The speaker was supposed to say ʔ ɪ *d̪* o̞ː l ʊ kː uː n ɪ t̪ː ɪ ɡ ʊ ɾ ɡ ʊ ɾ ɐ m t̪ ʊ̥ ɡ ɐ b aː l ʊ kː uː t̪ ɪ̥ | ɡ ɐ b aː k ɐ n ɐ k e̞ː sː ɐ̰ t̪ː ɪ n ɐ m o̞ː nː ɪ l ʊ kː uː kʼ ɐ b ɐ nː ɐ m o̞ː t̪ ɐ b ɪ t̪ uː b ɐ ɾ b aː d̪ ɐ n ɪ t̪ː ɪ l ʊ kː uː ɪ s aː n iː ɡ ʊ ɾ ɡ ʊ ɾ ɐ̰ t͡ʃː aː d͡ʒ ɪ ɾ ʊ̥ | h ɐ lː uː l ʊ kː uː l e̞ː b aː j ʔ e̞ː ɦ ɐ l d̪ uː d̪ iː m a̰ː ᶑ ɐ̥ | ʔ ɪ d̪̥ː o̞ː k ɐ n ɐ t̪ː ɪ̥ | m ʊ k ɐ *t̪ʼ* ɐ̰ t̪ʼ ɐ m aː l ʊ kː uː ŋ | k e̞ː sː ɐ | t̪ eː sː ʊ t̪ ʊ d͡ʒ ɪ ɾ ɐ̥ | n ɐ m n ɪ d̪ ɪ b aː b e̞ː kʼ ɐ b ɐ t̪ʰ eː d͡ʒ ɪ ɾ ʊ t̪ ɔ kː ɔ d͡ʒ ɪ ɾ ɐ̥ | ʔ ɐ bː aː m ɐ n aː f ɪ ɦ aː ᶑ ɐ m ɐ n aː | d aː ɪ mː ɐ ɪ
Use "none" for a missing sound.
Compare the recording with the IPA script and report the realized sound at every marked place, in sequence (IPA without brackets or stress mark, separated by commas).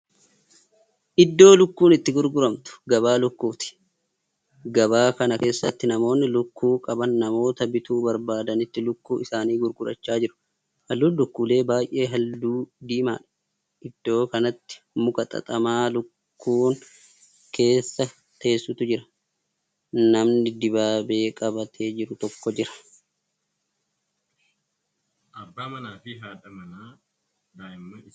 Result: d̪ː, t̪ʼ